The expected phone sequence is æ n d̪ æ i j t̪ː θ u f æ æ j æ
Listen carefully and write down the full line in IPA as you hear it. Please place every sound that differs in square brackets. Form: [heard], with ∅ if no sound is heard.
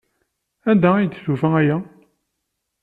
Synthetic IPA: æ n d̪ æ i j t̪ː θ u f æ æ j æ

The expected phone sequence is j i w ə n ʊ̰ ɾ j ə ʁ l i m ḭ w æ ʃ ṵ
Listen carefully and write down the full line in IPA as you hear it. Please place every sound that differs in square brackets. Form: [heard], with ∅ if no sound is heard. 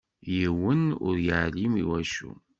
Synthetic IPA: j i w ə n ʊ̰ ɾ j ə [ʕ] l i m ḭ w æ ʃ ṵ

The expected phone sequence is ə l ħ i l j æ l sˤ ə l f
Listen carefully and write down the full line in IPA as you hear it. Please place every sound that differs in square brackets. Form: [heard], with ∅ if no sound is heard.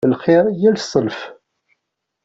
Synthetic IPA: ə l [χ] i [ɾ] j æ l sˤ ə l f

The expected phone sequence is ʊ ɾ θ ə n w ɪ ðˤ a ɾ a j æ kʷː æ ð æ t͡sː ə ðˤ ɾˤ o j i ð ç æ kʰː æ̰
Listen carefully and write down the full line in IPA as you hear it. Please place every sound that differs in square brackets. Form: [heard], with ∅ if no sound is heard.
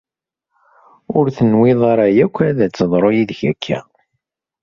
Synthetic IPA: ʊ ɾ θ ə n w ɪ ðˤ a ɾ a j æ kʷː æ ð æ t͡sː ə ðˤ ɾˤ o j i ð ç æ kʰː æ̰

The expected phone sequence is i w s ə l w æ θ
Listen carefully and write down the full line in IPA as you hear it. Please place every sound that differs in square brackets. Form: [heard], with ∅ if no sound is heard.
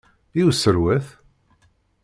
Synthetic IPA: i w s ə [ɾ] w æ θ

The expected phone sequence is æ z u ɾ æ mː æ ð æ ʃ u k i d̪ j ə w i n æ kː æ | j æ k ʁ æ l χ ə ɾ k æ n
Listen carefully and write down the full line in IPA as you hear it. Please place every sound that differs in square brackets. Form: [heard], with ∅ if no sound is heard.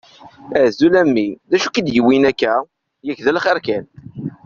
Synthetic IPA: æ z u [l] æ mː [i] ð æ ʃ u k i d̪ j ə w i n æ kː æ | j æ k [ð] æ l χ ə ɾ k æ n

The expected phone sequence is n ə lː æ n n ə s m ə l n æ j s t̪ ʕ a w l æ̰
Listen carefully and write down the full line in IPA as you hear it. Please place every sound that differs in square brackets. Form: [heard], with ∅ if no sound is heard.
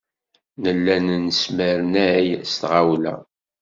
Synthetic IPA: n ə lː æ n n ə s m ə [ɾ] n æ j s t̪ [ʁ] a w l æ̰

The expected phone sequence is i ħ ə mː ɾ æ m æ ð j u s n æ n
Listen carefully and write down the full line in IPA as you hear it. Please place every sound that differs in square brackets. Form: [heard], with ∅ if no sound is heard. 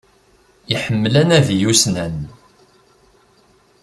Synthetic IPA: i ħ ə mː [l] æ [n] æ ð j u s n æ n

